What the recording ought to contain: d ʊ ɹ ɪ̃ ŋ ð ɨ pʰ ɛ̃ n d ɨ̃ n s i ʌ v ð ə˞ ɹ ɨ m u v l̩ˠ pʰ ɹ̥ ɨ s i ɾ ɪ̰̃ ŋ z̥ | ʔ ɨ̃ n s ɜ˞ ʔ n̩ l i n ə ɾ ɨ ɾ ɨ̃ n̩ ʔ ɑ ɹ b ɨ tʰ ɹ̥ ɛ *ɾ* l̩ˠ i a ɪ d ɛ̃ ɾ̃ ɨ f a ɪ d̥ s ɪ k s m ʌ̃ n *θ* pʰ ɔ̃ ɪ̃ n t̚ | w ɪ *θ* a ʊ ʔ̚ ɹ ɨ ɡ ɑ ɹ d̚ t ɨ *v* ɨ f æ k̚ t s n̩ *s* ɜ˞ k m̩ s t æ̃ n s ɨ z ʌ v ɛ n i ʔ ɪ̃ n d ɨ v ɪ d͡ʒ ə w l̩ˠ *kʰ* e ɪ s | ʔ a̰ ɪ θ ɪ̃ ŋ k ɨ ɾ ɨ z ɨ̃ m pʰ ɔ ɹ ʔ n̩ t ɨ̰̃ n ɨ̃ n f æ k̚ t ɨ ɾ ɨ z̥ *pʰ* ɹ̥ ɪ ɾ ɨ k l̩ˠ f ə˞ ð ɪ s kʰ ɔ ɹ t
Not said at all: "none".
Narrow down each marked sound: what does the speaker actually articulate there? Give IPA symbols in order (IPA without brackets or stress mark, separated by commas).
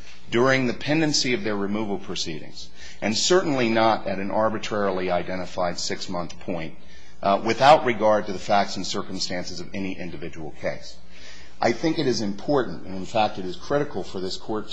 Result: ɹ, θ, θ, ð, s, kʰ, kʰ